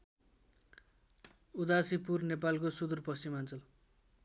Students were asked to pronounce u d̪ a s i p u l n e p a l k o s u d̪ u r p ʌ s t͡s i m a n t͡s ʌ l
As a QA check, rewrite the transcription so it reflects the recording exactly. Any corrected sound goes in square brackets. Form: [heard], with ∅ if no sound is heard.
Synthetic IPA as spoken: u d̪ a s i p u [r] n e p a l k o s u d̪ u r p ʌ s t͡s i m a n t͡s ʌ l